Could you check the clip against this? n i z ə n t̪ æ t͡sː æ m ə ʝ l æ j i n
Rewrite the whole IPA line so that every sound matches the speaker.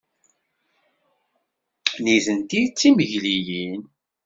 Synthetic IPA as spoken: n i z ə n t̪ i t͡sː i m ə ʝ l i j i n